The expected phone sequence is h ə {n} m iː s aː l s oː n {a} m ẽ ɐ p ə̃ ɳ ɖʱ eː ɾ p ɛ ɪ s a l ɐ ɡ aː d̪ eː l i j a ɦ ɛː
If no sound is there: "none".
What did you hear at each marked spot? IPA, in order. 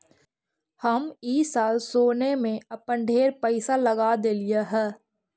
none, e

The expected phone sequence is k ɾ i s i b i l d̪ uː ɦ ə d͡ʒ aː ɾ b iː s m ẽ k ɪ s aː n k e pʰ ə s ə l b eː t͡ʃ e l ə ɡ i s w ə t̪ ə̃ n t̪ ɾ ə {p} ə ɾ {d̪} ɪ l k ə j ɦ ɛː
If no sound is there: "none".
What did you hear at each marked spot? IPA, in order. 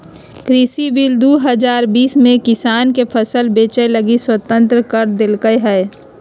k, d̪

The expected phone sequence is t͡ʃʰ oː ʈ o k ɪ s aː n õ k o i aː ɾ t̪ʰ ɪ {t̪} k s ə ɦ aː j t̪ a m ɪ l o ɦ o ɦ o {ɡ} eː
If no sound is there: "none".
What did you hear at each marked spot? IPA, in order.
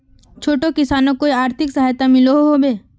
none, b

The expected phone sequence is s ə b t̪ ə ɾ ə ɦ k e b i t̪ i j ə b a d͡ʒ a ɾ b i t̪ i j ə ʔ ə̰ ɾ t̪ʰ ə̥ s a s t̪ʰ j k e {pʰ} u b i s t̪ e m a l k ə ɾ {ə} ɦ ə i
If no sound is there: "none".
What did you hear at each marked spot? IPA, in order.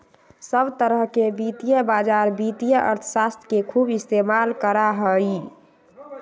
kʰ, a

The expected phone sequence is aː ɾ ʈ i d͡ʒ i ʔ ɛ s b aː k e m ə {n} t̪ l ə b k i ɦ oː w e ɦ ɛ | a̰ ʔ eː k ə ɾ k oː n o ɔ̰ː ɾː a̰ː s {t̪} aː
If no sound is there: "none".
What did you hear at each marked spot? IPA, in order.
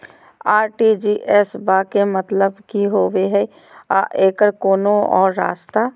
none, t̪

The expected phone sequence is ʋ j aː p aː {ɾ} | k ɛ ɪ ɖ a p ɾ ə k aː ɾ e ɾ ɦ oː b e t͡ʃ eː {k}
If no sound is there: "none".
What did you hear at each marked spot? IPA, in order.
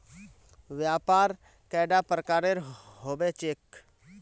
ɾ, k

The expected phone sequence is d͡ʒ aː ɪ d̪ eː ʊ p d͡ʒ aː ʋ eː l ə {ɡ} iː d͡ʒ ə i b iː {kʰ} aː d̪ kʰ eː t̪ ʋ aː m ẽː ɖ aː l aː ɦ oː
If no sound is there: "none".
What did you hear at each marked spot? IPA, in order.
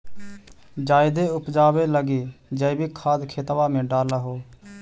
ɡ, kʰ

